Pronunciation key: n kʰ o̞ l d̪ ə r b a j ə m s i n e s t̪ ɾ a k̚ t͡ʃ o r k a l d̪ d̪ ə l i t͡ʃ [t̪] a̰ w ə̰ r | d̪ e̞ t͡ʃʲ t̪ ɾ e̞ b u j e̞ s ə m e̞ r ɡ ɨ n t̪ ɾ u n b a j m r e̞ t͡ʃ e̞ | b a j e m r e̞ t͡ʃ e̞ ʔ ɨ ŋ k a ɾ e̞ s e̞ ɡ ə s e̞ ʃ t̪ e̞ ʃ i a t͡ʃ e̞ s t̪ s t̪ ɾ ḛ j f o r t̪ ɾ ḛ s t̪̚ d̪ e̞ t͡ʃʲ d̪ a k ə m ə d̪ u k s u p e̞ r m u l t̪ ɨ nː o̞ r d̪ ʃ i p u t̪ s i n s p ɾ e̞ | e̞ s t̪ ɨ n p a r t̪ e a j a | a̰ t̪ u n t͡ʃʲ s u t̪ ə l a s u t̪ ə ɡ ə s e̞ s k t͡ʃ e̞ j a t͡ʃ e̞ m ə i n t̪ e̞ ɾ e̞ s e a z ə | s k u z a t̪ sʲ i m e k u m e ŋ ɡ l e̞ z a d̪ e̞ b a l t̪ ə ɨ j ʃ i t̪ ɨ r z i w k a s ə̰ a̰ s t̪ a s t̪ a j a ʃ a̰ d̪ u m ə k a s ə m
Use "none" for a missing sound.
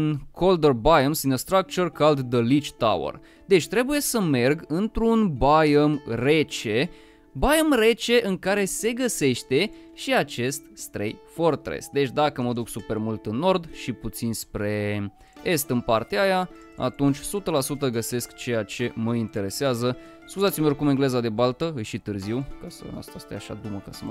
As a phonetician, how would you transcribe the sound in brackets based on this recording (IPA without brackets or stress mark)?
t̪